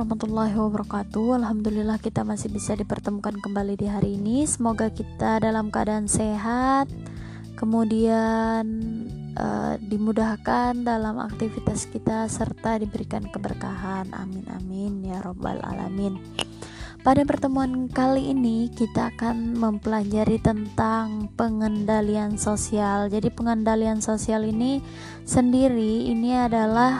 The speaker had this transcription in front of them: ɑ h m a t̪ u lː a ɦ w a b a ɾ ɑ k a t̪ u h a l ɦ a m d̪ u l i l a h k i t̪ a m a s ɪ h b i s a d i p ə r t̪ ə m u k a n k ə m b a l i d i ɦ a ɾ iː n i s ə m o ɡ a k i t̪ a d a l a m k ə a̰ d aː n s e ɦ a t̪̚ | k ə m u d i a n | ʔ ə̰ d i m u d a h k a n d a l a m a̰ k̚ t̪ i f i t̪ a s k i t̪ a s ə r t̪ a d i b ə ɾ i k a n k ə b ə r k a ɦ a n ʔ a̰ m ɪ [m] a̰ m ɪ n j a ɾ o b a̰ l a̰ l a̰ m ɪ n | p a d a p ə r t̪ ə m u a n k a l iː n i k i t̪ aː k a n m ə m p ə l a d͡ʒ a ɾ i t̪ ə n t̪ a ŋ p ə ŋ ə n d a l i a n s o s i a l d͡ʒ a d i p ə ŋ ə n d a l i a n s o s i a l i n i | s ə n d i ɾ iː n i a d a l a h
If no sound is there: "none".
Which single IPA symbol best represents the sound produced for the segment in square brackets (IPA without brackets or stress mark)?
n